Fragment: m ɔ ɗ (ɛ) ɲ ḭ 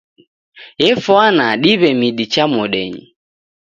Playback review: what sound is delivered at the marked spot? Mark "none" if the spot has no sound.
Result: ɛ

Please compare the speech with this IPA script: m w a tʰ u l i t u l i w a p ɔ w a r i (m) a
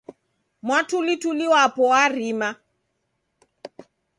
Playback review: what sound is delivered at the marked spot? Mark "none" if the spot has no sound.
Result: m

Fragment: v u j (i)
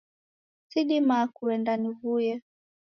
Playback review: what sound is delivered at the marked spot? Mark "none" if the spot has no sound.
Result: ɛ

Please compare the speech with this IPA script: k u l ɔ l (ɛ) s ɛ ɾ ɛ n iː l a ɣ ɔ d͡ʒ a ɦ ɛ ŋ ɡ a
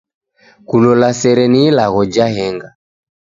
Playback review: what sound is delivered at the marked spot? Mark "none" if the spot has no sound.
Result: a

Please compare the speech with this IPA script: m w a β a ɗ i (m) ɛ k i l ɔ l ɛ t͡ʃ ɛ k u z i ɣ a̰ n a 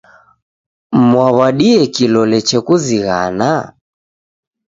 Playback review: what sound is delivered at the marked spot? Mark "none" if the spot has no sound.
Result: none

